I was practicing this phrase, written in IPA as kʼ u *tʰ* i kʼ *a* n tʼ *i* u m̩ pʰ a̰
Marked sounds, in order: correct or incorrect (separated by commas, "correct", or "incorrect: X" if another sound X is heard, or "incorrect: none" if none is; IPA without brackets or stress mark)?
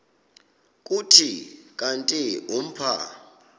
correct, correct, correct